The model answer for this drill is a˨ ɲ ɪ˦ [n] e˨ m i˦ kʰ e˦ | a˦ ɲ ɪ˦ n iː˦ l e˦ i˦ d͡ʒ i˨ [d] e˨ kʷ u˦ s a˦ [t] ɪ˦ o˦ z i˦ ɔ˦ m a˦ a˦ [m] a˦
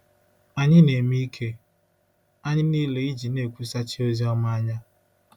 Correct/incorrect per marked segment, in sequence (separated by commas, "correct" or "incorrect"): correct, incorrect, incorrect, incorrect